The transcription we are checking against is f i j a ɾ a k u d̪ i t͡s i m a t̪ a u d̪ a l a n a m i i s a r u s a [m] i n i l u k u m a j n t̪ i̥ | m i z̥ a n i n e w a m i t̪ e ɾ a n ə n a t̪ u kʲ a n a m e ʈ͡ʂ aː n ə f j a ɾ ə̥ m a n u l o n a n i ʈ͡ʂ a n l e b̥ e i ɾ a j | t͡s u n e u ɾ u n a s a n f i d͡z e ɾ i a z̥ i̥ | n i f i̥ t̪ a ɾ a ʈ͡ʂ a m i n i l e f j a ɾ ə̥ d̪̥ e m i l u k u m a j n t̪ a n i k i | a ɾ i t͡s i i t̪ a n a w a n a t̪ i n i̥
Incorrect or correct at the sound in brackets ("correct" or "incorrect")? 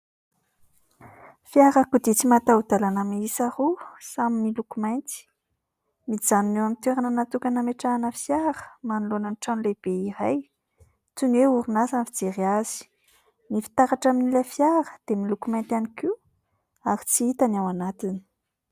correct